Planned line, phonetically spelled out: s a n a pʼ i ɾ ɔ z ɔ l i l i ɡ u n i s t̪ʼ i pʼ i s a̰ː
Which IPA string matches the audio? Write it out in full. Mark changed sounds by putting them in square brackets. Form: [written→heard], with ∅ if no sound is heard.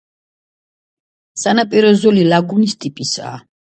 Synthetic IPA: s a n a pʼ i ɾ ɔ z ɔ l i l [i→a] ɡ u n i s t̪ʼ i pʼ i s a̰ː